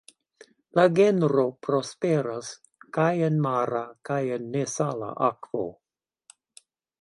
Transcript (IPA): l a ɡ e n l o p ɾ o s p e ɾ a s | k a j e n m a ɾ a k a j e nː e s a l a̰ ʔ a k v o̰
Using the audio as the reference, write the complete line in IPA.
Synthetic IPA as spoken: l a ɡ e n ɾ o p ɾ o s p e ɾ a s | k a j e n m a ɾ a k a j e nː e s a l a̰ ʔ a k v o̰